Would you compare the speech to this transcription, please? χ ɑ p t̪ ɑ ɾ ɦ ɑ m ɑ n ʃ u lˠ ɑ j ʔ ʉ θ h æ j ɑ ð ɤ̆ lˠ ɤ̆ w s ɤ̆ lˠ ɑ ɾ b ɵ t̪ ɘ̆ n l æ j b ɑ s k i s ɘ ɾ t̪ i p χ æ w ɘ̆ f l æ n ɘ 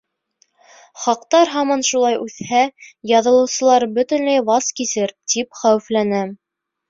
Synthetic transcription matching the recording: χ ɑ q t̪ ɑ ɾ ɦ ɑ m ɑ n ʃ u lˠ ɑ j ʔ ʉ θ h æ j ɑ ð ɤ̆ lˠ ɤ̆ w s ɤ̆ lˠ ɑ ɾ b ɵ t̪ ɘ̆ n l æ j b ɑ s k i s ɘ ɾ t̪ i p χ æ w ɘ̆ f l æ n ɘ